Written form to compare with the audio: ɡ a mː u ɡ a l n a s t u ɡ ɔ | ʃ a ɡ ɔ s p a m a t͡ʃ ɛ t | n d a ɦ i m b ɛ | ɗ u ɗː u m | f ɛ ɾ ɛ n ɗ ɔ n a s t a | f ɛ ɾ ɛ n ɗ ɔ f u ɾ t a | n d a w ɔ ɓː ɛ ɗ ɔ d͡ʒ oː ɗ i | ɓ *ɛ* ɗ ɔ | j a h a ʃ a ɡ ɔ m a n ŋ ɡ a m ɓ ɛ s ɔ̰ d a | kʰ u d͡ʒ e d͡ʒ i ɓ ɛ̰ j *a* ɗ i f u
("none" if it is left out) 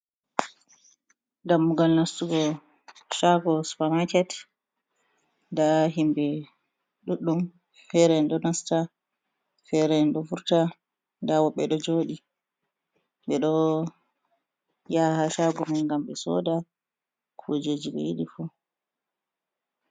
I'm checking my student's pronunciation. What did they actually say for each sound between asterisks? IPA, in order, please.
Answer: ɛ, i

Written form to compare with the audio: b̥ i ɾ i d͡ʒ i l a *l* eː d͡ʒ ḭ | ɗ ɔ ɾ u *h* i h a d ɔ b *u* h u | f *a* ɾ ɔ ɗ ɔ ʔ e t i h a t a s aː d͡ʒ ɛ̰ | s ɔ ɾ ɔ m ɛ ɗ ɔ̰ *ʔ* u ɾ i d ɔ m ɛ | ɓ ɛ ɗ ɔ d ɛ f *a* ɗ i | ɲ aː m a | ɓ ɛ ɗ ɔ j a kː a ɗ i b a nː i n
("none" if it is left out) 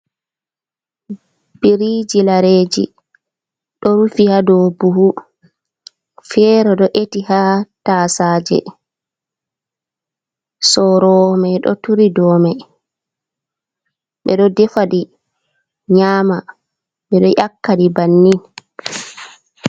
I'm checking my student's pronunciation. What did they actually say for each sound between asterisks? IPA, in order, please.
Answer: ɾ, f, u, ɛ, t, a

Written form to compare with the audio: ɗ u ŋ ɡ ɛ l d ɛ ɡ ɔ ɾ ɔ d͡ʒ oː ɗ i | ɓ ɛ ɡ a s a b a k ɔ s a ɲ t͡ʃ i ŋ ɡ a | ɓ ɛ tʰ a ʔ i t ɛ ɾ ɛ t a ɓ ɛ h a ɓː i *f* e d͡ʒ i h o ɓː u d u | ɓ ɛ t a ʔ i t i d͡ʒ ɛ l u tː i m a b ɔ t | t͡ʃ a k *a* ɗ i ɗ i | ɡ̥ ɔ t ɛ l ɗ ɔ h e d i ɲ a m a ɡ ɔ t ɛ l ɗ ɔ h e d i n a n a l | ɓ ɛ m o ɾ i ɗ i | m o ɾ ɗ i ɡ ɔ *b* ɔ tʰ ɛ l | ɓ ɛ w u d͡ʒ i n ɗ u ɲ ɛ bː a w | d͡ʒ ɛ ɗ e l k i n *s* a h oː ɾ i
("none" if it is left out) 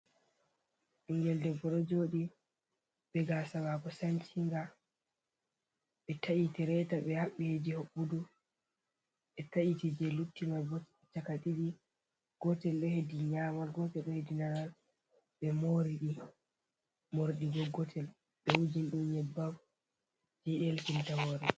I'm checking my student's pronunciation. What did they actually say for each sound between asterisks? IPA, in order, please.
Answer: h, a, ɡ, t

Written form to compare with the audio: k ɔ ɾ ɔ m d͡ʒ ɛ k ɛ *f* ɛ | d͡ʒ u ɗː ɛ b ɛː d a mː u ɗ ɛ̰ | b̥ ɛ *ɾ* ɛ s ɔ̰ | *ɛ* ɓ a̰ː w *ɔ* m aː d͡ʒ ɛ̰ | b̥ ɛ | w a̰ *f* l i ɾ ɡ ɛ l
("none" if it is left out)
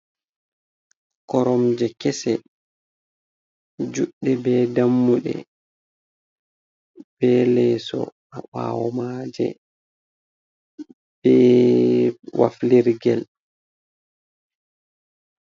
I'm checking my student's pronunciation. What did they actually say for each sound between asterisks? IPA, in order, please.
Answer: s, l, a, ɔ, f

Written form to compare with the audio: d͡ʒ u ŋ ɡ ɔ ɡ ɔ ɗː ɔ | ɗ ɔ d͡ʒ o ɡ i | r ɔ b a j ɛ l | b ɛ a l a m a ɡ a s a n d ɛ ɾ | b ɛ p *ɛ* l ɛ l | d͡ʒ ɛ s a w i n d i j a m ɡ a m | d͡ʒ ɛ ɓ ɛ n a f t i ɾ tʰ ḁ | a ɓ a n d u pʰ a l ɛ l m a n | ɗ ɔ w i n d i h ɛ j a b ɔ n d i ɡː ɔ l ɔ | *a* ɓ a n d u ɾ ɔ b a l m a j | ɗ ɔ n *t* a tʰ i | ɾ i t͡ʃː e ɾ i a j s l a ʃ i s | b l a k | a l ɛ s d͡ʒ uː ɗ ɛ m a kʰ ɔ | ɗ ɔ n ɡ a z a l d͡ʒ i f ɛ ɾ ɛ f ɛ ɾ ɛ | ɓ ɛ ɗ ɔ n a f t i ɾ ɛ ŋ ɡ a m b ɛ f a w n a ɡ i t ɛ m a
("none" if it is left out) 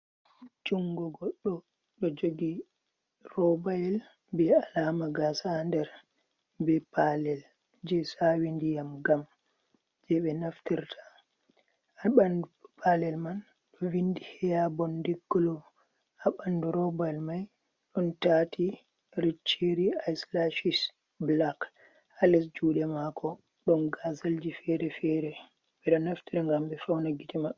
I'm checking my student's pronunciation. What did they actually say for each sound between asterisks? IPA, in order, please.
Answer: a, a, t

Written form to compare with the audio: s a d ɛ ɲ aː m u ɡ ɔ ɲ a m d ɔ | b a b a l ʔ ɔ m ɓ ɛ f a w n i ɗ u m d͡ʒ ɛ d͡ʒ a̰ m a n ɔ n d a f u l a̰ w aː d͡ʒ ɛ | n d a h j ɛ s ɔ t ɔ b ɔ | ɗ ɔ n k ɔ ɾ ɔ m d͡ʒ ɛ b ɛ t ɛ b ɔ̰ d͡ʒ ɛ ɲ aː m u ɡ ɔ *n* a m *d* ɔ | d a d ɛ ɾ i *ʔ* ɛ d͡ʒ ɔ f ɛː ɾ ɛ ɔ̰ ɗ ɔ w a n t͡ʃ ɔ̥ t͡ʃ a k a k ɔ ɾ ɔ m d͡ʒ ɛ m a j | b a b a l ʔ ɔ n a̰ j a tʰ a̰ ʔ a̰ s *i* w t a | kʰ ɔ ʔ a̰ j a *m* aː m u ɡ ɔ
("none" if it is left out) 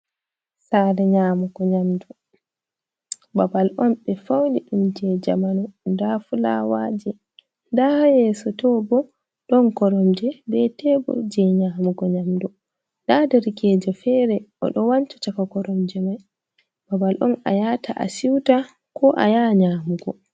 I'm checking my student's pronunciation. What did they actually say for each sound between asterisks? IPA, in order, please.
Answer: ɲ, d, k, i, ɲ

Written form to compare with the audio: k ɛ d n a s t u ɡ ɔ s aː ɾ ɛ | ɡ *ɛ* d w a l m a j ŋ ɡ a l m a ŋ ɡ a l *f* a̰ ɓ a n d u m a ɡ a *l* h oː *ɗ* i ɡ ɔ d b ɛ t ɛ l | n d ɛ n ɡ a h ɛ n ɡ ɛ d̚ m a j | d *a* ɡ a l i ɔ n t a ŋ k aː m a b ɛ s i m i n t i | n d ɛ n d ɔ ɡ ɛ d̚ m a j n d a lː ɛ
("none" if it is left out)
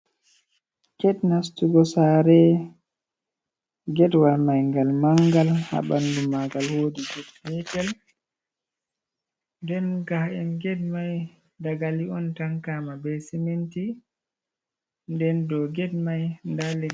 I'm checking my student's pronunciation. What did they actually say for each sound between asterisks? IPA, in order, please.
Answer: ɛ, h, l, d, a

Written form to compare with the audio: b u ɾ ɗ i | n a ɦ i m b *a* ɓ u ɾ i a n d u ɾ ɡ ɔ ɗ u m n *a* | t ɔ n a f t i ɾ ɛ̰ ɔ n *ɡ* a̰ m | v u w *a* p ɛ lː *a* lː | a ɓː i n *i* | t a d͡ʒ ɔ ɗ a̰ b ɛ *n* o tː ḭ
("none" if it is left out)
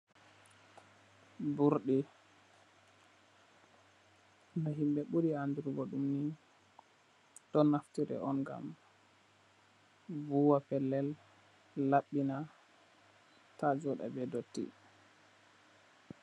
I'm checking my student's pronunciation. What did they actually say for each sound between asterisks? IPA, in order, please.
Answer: ɛ, i, ɡ, a, ɛ, a, d

